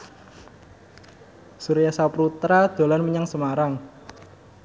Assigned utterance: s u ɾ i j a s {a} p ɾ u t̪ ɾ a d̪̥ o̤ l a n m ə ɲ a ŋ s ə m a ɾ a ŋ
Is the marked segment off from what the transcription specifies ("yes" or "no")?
no